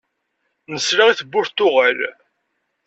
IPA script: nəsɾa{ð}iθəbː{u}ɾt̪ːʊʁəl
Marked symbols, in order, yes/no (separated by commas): no, no